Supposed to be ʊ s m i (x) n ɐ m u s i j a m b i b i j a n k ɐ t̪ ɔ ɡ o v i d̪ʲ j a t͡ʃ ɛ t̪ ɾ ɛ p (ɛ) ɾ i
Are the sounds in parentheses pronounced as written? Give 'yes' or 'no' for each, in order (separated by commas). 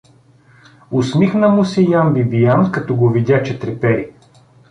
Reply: yes, yes